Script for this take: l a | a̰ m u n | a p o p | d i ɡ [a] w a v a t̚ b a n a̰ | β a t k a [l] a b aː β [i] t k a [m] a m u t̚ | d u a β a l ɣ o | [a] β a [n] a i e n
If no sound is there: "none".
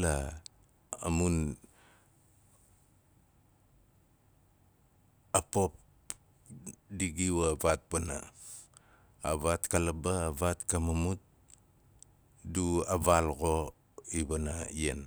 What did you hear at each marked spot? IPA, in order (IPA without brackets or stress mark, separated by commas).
i, l, a, m, i, n